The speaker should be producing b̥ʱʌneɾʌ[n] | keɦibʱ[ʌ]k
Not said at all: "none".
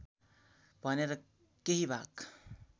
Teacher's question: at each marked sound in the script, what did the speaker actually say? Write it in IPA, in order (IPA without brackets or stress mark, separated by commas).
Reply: none, a